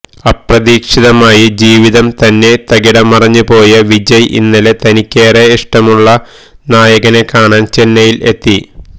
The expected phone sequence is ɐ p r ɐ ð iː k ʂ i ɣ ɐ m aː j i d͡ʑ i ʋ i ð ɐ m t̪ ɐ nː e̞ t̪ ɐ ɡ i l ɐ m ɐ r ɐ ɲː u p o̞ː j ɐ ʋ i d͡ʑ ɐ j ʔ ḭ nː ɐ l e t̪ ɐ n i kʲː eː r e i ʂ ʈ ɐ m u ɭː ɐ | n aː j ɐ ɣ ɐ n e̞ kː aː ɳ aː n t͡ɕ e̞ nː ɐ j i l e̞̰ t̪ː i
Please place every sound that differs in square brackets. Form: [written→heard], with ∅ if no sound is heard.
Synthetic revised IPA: ɐ p r ɐ ð iː k ʂ i [ɣ→ð] ɐ m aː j i d͡ʑ [i→iː] ʋ i ð ɐ m t̪ ɐ nː e̞ t̪ ɐ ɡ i [l→ɽ] ɐ m ɐ r ɐ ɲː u p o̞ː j ɐ ʋ i d͡ʑ ɐ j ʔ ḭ nː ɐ l e t̪ ɐ n i kʲː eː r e i ʂ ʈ ɐ m u ɭː ɐ | n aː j ɐ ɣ ɐ n e̞ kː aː ɳ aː n t͡ɕ e̞ nː ɐ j i l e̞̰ t̪ː i